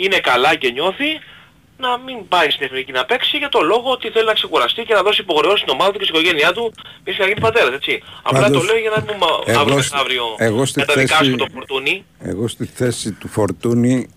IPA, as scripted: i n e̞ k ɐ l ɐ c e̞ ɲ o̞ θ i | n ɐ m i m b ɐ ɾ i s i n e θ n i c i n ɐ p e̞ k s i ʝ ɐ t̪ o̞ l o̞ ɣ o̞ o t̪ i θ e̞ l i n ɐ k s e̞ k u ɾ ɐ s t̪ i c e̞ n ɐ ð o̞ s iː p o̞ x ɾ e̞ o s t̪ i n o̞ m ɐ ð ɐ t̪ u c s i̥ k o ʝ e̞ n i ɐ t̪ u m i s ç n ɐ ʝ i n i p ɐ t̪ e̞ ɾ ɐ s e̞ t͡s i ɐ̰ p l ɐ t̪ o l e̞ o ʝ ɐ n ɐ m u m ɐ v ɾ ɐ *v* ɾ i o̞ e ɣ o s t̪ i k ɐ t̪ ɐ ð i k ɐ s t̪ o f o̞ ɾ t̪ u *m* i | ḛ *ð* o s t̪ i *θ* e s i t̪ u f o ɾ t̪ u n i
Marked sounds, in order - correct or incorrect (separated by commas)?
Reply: correct, incorrect, incorrect, correct